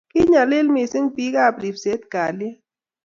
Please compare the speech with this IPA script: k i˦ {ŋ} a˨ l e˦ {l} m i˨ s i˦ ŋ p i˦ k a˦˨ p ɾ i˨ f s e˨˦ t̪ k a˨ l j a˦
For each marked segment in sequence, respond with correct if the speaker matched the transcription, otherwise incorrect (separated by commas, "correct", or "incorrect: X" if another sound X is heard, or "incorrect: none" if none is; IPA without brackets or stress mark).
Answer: incorrect: ɲ, correct